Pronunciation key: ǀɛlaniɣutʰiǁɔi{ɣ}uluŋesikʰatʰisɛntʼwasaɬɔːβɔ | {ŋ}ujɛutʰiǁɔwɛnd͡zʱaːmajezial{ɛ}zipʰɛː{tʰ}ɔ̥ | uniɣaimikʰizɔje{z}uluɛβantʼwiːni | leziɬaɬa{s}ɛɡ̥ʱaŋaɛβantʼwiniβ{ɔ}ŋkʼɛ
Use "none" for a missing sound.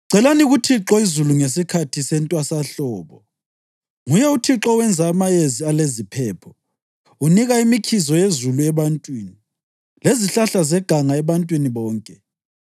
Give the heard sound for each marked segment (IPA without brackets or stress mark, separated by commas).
z, ŋ, e, pʰ, z, z, ɔː